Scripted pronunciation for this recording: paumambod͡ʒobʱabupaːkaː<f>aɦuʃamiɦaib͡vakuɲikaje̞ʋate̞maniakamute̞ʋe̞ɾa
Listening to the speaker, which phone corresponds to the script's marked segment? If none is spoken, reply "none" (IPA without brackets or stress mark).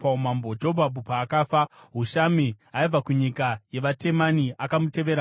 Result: f